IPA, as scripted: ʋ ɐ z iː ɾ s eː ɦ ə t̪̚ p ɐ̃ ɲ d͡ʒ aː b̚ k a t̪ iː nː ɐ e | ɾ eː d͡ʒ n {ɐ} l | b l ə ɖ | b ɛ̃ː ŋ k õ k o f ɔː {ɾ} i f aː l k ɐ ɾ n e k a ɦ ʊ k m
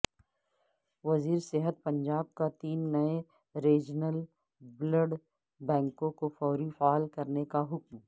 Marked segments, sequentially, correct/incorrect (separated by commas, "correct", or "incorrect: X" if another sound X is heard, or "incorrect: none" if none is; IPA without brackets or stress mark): incorrect: ə, correct